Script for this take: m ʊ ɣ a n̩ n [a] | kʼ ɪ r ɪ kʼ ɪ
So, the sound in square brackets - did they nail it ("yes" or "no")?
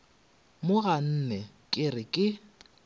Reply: no